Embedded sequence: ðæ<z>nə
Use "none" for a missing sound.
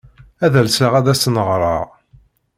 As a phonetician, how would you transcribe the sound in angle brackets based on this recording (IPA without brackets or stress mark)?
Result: s